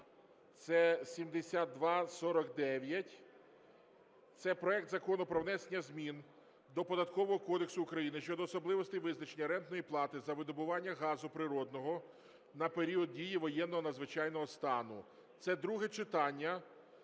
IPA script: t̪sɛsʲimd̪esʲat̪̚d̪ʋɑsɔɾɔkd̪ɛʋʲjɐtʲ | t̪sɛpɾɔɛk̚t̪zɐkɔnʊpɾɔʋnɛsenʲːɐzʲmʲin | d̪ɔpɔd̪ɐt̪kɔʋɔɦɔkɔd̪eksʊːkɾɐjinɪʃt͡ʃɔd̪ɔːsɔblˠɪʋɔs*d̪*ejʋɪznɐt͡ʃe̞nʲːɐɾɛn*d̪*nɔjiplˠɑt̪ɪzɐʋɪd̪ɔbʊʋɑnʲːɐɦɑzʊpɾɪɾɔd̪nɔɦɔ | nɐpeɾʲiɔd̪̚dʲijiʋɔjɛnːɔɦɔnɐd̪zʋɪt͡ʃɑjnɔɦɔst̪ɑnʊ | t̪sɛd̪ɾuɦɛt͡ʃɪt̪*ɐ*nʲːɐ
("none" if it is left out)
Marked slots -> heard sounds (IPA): t̪, t̪, ɑ

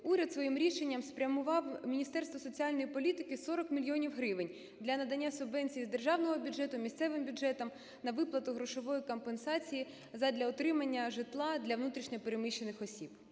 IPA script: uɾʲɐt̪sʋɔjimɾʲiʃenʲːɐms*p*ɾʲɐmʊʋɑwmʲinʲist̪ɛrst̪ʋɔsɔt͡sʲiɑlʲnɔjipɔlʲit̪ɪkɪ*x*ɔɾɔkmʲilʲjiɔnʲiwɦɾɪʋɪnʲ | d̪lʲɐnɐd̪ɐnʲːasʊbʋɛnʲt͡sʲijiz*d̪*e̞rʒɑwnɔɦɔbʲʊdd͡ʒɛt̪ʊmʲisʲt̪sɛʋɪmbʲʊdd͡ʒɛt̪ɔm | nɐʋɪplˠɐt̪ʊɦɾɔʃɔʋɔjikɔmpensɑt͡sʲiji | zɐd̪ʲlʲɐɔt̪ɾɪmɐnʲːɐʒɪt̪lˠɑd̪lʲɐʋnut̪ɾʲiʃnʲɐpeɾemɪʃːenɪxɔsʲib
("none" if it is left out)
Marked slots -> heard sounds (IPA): p, s, d̪

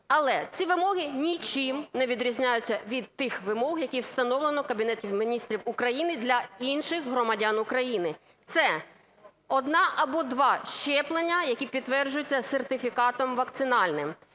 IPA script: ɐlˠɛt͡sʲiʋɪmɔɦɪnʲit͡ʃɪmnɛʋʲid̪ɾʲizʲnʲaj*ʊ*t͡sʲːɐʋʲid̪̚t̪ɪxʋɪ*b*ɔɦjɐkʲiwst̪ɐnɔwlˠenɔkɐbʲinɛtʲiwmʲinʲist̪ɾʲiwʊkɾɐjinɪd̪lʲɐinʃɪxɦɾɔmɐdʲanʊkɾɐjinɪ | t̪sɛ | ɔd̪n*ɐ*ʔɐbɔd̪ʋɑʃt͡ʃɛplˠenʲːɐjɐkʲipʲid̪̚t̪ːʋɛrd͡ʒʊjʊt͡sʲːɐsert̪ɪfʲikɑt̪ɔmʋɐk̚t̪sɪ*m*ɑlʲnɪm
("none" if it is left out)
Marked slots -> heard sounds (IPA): ʊ, m, ɑ, n

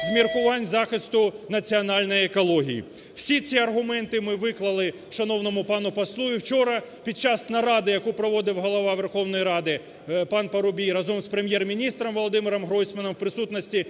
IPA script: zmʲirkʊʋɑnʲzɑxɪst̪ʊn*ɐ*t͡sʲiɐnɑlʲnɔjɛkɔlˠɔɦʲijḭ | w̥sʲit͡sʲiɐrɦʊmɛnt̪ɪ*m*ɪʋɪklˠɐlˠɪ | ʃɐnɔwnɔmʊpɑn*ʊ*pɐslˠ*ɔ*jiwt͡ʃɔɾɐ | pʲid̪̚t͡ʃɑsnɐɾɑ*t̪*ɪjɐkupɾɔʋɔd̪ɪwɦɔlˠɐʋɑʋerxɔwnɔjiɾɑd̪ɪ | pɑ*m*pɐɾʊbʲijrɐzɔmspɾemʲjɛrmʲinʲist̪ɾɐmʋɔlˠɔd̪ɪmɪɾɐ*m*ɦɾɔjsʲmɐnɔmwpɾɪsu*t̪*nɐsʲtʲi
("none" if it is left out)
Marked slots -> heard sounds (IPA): ɐ, m, ʊ, u, d̪, n, m, t̪

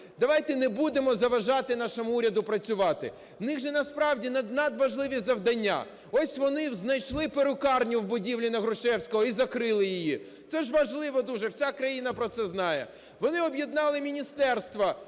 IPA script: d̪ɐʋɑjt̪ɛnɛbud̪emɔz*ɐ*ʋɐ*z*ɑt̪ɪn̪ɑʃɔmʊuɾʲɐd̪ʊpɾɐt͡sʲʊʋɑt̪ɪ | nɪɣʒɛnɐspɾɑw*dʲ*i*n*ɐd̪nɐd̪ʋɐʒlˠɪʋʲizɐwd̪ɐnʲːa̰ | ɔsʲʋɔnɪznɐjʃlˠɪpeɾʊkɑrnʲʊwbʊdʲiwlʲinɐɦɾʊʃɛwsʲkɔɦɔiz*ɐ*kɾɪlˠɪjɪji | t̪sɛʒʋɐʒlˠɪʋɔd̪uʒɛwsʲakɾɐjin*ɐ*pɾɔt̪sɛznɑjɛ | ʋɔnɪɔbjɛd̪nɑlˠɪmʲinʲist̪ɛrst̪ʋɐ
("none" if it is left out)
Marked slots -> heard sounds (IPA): ɐ, ʒ, dʲ, n, ɐ, ɐ

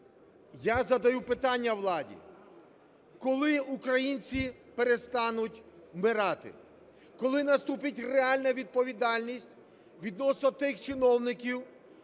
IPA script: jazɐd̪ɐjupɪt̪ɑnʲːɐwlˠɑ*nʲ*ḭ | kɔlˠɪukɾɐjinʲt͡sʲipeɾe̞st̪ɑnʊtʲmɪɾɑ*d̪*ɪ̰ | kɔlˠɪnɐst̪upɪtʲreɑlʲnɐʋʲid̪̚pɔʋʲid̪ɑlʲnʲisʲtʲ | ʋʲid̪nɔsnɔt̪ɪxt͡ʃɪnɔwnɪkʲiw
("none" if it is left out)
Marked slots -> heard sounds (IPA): dʲ, t̪

